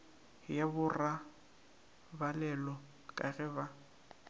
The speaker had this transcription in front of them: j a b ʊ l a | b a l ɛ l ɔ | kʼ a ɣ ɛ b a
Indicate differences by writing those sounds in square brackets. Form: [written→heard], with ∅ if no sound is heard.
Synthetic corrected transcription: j a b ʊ [l→r] a | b a l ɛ l ɔ | kʼ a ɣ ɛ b a